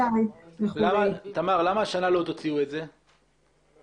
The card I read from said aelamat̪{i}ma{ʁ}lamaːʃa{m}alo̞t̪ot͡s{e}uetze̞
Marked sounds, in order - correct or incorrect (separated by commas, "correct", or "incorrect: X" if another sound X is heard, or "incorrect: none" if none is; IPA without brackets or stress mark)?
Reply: incorrect: a, correct, incorrect: n, incorrect: i